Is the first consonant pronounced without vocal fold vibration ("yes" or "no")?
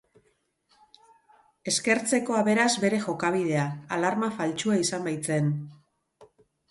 yes